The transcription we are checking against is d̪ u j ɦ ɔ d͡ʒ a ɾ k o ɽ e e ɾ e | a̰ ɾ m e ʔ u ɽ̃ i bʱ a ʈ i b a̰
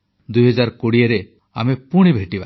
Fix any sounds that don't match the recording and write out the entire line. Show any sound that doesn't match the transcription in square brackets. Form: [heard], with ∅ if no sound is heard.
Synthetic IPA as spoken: d̪ u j ɦ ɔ d͡ʒ a ɾ k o ɽ [i] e ɾ e | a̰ [∅] m e [p] u ɽ̃ i bʱ [e] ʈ i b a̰